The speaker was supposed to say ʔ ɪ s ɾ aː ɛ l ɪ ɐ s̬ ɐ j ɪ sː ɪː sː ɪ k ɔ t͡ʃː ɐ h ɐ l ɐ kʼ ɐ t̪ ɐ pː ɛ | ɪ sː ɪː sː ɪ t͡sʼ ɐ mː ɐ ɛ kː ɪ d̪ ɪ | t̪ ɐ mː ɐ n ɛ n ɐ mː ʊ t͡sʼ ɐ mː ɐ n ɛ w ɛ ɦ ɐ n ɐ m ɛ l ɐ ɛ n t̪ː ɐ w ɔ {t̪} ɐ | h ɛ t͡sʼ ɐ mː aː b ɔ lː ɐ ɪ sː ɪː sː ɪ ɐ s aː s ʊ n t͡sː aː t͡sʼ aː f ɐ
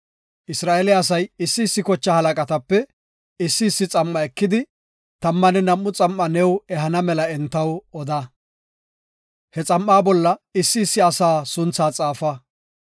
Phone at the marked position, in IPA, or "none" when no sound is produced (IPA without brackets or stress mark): d̪